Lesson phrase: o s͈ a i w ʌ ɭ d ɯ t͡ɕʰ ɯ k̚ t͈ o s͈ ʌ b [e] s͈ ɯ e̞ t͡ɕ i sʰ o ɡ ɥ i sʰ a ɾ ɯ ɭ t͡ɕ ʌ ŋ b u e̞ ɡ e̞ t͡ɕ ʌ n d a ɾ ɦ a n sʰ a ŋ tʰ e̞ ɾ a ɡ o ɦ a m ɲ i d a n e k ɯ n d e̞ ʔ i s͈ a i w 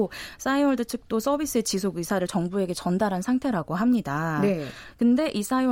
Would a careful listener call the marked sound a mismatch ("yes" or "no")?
yes